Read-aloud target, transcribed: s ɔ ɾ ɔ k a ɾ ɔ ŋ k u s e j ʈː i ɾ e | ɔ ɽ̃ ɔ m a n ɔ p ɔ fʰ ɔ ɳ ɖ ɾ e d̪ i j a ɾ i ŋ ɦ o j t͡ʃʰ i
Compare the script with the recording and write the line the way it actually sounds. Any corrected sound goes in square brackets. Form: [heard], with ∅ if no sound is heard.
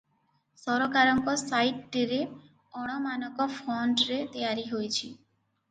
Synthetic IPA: s ɔ ɾ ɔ k a ɾ ɔ ŋ k [ɔ] s [a] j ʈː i ɾ e | ɔ ɽ̃ ɔ m a n ɔ [k] ɔ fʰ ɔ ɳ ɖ ɾ e [t̪] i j a ɾ i [∅] ɦ o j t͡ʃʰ i

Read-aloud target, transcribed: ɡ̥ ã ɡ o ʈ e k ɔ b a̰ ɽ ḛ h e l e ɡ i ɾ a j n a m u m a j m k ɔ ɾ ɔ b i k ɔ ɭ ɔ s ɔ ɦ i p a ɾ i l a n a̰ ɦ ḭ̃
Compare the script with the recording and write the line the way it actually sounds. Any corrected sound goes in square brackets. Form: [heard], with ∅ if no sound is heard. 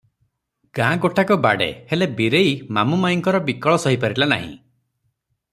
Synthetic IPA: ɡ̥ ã ɡ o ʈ [a] k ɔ b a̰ ɽ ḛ h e l e [b] i ɾ [e] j [m] a m u m a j [ŋ] k ɔ ɾ ɔ b i k ɔ ɭ ɔ s ɔ ɦ i p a ɾ i l a n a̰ ɦ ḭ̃

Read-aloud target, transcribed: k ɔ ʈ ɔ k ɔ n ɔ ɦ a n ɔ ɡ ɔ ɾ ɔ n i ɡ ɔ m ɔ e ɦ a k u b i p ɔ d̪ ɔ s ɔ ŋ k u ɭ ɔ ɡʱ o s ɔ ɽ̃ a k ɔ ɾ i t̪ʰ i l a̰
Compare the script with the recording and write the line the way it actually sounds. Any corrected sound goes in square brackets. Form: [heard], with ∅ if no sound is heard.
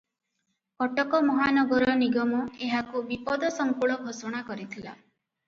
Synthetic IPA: k ɔ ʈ ɔ k ɔ [m] ɔ ɦ a n ɔ ɡ ɔ ɾ ɔ n i ɡ ɔ m ɔ e ɦ a k u b i p ɔ d̪ ɔ s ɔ ŋ k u ɭ ɔ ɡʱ o s ɔ ɽ̃ a k ɔ ɾ i t̪ʰ i l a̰

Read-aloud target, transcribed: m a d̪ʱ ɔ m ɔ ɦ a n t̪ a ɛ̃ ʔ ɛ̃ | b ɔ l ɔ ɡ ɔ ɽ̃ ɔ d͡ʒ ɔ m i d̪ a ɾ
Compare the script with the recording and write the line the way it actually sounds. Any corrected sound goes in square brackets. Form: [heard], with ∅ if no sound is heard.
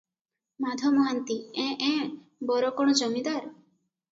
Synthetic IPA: m a d̪ʱ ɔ m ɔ ɦ a n t̪ [i] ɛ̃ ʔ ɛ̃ | b ɔ [ɾ] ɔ [k] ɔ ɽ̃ ɔ d͡ʒ ɔ m i d̪ a ɾ

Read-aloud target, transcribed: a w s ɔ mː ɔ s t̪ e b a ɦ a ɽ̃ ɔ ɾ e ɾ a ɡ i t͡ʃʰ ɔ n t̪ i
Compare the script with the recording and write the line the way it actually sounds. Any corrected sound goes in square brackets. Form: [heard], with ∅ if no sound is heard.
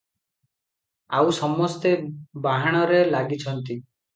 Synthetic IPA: a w s ɔ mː ɔ s t̪ e b a ɦ a ɽ̃ ɔ ɾ e [l] a ɡ i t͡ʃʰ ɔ n t̪ i

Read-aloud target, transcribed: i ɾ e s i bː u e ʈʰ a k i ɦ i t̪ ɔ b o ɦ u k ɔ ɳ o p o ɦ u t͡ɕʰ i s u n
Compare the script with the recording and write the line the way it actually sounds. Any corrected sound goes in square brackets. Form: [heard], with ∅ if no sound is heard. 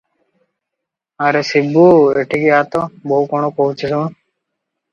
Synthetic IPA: [a] ɾ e s i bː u e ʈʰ [i] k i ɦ [a] t̪ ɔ b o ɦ u k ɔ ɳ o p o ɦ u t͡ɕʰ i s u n

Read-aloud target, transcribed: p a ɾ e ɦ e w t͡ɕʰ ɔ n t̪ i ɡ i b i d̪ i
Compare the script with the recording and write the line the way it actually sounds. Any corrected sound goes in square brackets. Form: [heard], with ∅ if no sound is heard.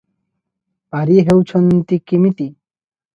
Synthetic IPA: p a ɾ [i] ɦ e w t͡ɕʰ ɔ n t̪ i [k] i [m] i [t̪] i

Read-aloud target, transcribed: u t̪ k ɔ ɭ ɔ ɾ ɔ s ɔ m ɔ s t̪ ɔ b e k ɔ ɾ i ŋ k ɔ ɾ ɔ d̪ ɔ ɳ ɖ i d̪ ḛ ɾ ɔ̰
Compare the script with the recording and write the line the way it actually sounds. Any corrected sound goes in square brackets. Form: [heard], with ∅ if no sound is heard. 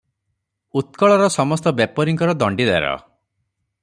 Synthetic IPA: u t̪ k ɔ ɭ ɔ ɾ ɔ s ɔ m ɔ s t̪ ɔ b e [p] ɔ ɾ i ŋ k ɔ ɾ ɔ d̪ ɔ ɳ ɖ i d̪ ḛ ɾ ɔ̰

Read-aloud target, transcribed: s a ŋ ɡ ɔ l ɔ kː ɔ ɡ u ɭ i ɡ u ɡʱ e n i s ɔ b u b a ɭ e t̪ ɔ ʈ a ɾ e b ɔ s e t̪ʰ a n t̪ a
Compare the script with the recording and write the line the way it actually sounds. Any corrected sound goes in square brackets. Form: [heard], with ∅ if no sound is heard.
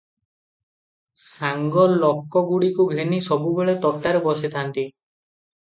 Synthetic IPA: s a ŋ ɡ ɔ l ɔ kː ɔ ɡ u [ɽ] i [k] u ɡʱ e n i s ɔ b u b [e] ɭ e t̪ ɔ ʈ a ɾ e b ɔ s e t̪ʰ a n t̪ [i]

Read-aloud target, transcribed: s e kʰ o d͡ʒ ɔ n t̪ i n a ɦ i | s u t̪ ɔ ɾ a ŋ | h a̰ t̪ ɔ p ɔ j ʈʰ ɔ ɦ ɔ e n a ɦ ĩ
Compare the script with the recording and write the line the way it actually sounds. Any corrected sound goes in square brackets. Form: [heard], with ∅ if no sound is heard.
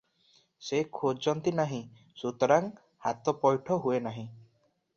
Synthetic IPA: s e kʰ o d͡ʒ ɔ n t̪ i n a ɦ [ĩ] | s u t̪ ɔ ɾ a ŋ | h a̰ t̪ ɔ p ɔ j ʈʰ ɔ ɦ [u] e n a ɦ ĩ

